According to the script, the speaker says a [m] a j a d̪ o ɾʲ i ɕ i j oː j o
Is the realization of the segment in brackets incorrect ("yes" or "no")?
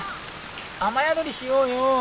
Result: no